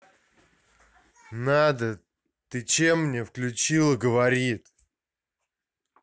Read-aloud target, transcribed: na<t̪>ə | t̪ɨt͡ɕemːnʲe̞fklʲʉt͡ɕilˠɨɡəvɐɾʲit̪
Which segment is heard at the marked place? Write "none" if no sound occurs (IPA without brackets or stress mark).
d̪